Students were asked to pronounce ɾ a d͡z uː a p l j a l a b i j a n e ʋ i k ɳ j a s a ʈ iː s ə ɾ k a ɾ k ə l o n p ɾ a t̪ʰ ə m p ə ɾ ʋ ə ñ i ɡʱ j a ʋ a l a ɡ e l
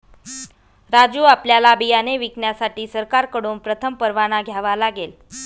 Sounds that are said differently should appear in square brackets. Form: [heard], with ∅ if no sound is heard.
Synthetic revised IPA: ɾ a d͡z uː a p l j a l a b i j a n e ʋ i k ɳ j a s a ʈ iː s ə ɾ k a ɾ k ə [ɽ] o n p ɾ [ə] t̪ʰ ə m p ə ɾ ʋ [a] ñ [a] ɡʱ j a ʋ a l a ɡ e l